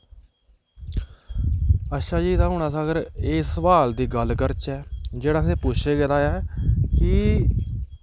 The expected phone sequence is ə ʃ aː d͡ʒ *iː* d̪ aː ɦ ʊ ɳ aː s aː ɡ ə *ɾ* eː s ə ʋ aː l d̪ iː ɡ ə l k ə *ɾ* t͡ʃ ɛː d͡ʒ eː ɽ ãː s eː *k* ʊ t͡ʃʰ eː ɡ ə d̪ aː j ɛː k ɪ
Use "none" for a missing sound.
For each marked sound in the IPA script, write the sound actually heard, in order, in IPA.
iː, ɾ, ɾ, p

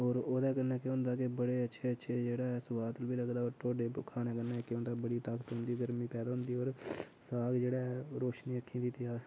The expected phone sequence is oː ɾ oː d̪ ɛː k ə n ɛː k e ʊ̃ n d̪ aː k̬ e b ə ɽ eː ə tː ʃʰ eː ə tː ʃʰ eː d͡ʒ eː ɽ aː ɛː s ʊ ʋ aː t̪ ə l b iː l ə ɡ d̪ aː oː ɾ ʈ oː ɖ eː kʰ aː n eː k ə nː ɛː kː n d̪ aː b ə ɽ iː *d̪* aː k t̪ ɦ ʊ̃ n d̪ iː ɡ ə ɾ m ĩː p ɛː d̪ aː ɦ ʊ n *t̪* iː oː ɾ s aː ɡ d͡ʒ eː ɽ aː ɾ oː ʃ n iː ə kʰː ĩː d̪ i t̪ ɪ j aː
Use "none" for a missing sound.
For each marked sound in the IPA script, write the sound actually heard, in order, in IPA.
t̪, d̪

